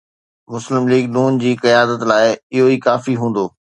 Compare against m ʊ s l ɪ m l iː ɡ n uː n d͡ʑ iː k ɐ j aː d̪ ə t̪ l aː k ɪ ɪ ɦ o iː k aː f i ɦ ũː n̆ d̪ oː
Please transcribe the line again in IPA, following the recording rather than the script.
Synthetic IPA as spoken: m ʊ s l ɪ m l iː ɡ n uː n d͡ʑ iː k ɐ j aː d̪ ə t̪ l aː ɪ ɪ ɦ o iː k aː f i ɦ ũː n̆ d̪ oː